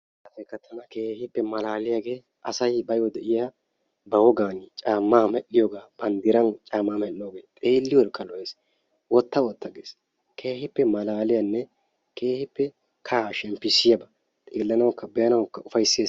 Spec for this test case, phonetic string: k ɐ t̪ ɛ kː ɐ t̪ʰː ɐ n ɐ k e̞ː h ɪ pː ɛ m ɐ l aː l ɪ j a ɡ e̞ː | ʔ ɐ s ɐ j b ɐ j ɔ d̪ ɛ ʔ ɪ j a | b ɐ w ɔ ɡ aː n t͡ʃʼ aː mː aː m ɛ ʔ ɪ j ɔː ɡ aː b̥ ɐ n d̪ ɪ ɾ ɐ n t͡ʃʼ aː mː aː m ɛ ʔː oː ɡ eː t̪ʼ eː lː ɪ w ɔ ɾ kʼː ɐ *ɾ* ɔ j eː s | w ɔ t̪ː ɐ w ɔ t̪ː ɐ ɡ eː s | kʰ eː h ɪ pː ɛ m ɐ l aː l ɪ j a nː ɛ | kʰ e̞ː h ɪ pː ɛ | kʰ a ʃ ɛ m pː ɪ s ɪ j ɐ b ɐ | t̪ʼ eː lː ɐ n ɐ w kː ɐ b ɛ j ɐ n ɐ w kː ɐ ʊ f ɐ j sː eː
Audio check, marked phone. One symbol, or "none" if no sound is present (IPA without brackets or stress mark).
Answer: l